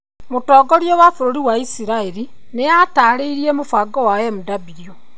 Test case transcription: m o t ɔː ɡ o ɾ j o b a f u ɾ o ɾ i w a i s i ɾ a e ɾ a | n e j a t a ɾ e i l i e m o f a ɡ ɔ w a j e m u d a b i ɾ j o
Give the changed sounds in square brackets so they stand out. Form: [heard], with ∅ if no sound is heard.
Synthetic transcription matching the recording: m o t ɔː ɡ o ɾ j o [w] a f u ɾ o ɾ i w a i s i ɾ a e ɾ [i] | n e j a t a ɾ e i [ɾ] i e m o f a ɡ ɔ w a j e m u d a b i ɾ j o